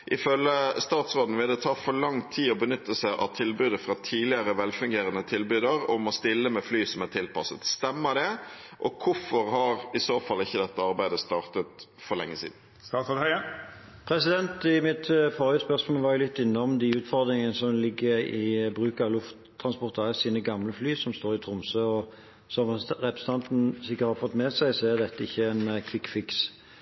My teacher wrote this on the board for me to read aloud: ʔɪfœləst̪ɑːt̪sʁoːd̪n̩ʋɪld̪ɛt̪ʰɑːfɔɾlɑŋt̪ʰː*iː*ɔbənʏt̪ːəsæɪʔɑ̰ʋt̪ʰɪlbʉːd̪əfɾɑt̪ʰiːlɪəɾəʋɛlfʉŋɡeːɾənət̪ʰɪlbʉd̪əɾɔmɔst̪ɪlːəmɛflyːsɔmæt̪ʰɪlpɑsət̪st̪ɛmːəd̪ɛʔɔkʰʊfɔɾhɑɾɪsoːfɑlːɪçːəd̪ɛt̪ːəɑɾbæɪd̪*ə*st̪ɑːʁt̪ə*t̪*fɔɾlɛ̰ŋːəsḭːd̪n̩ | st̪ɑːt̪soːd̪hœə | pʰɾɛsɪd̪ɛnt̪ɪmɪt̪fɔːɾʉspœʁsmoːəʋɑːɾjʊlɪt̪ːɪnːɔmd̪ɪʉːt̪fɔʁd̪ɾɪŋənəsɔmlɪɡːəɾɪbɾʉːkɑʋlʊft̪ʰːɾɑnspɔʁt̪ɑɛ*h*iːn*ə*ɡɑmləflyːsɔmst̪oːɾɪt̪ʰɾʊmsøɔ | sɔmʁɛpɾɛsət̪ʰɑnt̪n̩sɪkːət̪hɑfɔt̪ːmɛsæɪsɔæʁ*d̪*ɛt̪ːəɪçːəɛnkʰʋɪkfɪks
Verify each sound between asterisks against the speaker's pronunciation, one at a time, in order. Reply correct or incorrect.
correct, correct, correct, incorrect: s, correct, correct

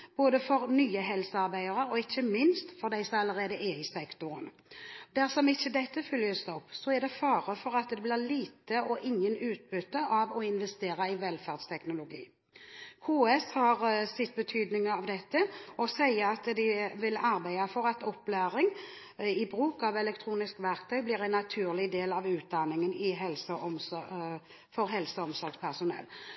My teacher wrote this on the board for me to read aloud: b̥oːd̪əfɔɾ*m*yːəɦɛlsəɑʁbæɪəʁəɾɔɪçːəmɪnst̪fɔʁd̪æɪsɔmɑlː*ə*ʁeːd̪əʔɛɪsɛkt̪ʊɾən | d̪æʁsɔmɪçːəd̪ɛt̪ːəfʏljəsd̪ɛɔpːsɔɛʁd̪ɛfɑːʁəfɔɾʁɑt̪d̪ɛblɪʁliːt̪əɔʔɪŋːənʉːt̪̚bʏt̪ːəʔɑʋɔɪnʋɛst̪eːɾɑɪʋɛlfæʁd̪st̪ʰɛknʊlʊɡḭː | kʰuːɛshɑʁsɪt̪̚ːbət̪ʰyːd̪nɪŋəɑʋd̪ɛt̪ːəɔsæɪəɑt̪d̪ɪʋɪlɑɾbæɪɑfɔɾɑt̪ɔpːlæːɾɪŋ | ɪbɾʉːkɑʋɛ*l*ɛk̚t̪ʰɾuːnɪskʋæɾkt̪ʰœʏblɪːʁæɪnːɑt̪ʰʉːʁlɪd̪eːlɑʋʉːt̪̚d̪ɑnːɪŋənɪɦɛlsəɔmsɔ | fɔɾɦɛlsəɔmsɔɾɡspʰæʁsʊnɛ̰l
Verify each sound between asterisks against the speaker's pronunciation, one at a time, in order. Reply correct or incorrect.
incorrect: n, correct, correct

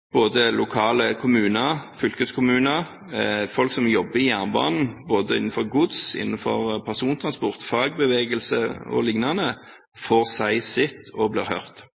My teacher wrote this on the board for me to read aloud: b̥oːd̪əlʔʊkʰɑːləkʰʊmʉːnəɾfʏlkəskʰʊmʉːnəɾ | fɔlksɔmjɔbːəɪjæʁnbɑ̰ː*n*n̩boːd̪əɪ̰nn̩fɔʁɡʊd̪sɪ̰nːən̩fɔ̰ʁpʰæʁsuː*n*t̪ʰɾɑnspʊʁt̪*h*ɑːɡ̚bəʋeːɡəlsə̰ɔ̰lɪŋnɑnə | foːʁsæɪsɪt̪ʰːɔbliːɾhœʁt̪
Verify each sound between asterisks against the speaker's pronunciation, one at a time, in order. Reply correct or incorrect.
correct, correct, incorrect: f

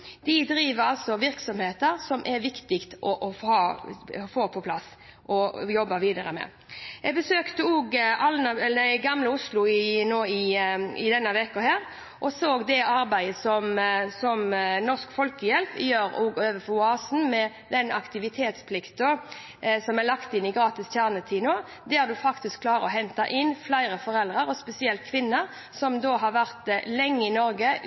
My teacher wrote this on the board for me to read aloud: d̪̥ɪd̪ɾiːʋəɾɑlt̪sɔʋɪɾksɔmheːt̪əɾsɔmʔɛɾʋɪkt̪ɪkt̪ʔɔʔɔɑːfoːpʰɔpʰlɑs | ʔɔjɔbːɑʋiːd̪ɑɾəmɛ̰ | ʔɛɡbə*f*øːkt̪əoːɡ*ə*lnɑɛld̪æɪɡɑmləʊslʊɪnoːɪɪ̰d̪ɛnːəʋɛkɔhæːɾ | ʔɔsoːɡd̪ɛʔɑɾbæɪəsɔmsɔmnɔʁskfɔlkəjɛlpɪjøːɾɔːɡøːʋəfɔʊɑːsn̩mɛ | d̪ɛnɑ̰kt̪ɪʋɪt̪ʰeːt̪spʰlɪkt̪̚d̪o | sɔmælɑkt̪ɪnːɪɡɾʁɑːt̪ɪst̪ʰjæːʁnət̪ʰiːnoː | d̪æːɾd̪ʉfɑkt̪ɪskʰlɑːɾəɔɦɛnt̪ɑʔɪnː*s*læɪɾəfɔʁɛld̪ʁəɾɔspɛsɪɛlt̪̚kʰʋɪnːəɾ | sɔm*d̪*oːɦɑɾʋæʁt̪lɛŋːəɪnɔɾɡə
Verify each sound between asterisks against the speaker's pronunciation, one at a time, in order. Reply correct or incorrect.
incorrect: s, incorrect: ɑ, incorrect: f, correct

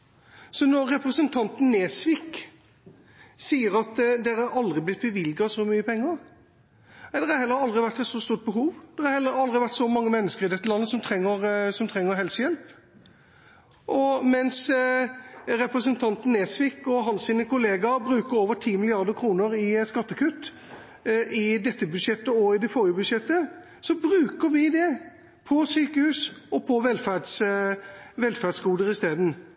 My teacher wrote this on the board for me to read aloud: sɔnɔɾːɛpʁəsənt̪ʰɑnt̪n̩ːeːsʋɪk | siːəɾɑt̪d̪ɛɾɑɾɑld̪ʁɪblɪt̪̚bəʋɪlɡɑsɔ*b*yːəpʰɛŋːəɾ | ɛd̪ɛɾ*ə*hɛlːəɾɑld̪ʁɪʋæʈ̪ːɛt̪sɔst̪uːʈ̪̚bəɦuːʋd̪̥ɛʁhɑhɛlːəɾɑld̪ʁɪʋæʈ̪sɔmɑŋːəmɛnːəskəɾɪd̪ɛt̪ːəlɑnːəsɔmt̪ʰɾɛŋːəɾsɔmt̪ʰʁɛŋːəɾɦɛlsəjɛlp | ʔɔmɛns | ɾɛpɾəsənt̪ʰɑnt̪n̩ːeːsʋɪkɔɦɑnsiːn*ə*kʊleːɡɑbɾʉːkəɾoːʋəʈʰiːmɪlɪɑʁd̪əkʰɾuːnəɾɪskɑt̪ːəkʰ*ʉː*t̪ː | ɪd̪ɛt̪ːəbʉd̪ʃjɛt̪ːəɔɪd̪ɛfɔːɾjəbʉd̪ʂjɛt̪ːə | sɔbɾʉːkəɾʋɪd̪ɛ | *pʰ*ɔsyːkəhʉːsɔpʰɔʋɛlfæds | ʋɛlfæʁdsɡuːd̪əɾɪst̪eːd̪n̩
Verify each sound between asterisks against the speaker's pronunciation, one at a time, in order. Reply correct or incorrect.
incorrect: m, incorrect: ɑ, correct, incorrect: ʉ, correct

